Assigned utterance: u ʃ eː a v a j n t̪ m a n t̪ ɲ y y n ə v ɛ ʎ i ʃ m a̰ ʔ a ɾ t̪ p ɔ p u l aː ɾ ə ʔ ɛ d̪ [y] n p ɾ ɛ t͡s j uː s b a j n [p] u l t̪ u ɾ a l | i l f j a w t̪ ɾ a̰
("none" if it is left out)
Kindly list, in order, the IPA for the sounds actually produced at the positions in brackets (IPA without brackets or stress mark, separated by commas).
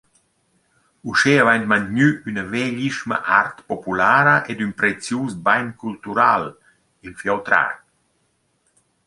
y, k